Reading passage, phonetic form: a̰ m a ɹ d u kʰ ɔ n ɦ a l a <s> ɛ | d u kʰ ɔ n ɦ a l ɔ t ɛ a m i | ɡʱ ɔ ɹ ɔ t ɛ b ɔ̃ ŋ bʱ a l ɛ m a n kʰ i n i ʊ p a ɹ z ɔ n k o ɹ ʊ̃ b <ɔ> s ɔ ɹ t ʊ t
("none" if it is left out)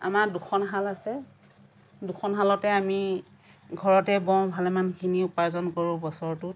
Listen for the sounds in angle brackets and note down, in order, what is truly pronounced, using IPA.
s, ɔ

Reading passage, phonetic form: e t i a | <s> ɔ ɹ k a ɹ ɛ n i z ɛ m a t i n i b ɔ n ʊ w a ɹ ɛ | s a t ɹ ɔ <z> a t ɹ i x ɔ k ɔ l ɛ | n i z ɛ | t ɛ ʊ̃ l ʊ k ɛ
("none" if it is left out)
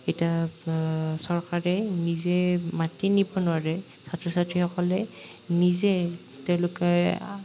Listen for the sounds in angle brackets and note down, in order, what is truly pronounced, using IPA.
s, s

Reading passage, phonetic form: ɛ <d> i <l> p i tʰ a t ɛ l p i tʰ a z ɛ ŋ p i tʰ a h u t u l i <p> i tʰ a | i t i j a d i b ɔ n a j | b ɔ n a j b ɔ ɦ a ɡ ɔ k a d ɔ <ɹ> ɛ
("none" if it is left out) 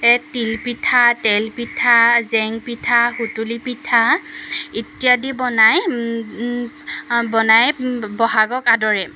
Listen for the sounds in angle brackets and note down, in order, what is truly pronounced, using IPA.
t, l, p, ɹ

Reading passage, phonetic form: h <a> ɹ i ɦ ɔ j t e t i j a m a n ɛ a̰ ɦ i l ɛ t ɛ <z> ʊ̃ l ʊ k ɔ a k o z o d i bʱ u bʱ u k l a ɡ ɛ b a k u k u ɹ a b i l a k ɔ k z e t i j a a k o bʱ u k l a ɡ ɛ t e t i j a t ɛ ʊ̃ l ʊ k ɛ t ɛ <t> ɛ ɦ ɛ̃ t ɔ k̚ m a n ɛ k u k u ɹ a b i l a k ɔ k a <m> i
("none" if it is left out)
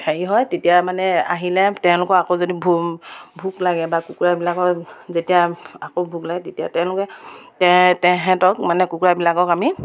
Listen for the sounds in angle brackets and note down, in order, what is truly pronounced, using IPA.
e, none, t, m

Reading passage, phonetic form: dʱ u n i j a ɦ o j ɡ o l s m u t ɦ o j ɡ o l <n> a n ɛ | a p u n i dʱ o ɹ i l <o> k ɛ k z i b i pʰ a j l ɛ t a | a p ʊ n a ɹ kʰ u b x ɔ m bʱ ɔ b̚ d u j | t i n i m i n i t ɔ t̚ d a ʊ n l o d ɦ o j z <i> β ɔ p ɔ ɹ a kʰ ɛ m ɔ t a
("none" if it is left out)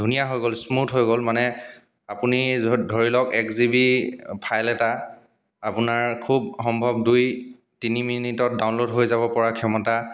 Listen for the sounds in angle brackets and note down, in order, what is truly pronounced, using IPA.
m, ɔ, a

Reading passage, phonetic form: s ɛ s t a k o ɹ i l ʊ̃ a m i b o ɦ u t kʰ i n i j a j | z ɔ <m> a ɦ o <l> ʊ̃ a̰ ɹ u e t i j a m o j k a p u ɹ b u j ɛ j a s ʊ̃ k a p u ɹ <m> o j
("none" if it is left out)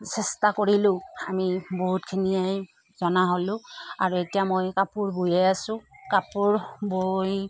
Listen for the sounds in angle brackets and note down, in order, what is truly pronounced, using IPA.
n, l, b

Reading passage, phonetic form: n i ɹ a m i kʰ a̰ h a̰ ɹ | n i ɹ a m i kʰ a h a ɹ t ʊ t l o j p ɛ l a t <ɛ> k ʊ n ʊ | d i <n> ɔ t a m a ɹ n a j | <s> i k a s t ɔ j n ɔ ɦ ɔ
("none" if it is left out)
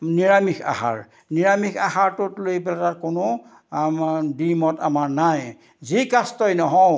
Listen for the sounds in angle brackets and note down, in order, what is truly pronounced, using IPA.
a, m, z

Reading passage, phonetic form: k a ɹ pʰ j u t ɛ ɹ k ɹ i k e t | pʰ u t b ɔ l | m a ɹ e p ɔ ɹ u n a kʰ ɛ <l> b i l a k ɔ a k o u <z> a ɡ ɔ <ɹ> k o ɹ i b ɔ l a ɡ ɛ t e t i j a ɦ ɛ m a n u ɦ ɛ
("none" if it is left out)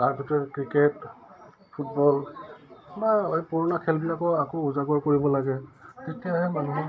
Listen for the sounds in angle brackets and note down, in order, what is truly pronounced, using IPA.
l, z, ɹ

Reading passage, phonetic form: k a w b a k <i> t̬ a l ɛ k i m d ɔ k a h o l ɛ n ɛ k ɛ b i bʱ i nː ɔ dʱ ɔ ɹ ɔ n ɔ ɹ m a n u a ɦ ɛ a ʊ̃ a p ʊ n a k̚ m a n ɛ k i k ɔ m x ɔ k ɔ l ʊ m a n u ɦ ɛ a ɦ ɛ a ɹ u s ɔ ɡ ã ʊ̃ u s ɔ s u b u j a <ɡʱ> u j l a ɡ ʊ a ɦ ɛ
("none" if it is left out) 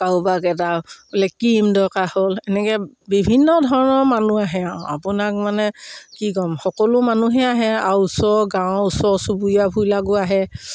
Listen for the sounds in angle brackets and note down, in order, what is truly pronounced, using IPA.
ɛ, bʱ

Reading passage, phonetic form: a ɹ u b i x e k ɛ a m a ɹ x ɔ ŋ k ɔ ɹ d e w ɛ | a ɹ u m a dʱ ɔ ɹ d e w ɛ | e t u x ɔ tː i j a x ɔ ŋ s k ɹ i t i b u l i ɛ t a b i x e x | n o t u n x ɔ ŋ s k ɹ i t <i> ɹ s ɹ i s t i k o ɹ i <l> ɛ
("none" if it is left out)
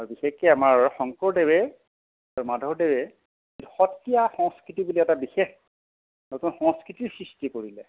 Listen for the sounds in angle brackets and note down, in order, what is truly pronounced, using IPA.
i, l

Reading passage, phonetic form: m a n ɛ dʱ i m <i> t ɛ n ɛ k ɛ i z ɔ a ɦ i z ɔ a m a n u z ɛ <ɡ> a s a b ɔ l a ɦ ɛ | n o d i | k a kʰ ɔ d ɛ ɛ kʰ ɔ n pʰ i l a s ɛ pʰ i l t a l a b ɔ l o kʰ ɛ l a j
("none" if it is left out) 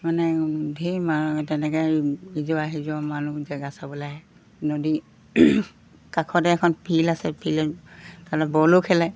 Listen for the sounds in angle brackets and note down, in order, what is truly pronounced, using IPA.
a, ɡ

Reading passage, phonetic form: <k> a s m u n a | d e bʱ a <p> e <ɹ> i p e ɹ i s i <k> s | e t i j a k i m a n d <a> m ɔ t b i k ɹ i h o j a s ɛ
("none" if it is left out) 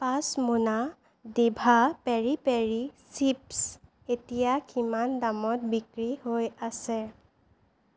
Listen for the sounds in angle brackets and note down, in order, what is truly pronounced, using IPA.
p, p, ɹ, p, a

